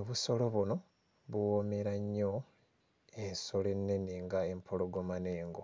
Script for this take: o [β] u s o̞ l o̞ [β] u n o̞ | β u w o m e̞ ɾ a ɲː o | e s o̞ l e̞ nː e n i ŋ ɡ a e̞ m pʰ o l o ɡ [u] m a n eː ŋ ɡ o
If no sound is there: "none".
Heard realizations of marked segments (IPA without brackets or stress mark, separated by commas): β, β, o